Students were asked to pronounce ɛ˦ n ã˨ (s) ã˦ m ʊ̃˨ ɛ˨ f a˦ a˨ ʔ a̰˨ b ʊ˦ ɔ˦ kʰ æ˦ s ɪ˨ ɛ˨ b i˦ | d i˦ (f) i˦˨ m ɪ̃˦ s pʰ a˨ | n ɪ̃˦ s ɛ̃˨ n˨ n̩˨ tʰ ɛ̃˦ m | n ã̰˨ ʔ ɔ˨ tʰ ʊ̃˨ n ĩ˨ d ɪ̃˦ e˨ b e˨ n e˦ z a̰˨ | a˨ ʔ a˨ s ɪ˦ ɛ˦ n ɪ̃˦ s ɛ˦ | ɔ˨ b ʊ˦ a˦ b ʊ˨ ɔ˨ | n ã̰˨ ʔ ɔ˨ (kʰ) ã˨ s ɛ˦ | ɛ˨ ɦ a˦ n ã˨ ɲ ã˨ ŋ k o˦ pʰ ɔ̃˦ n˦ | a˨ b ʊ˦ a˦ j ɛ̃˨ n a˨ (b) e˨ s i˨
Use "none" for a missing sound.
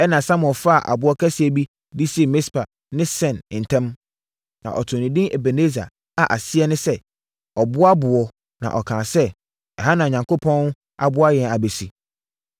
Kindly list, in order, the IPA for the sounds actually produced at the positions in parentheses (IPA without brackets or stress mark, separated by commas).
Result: s, s, kʰ, b